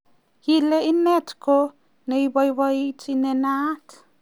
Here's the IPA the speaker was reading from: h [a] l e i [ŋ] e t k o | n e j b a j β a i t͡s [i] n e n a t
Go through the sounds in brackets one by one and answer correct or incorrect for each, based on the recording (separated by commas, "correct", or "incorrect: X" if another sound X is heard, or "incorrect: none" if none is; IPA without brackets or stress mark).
incorrect: i, incorrect: n, correct